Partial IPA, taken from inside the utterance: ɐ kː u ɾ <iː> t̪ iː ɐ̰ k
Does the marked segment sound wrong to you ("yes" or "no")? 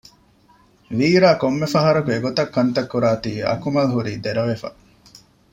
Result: yes